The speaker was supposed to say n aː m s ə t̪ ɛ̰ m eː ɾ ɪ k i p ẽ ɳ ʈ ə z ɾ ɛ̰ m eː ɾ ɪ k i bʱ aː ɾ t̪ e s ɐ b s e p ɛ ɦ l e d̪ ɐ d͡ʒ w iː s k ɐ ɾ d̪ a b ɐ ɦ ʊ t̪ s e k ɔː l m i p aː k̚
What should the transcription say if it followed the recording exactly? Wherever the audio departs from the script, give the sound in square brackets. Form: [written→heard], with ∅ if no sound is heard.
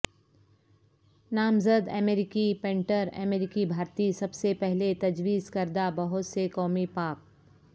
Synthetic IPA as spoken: n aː m [s→z] ə [t̪→d̪] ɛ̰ m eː ɾ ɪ k i p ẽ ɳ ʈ ə [z→∅] ɾ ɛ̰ m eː ɾ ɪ k i bʱ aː ɾ t̪ [e→i] s ɐ b s e p ɛ ɦ l e [d̪→t̪] ɐ d͡ʒ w iː [s→z] k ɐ ɾ d̪ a b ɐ ɦ ʊ t̪ s e k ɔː [l→∅] m i p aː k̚